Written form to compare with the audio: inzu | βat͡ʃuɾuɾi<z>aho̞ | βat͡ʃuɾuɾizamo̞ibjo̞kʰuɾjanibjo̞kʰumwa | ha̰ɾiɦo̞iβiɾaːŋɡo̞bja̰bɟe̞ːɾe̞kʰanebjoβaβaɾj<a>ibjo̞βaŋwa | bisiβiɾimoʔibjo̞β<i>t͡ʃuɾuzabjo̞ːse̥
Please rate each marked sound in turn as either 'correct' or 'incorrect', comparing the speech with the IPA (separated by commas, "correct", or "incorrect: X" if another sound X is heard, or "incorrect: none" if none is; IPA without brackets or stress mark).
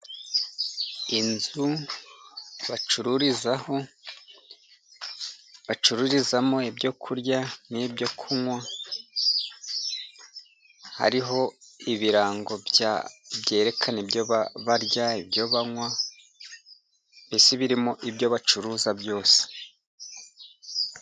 correct, correct, incorrect: a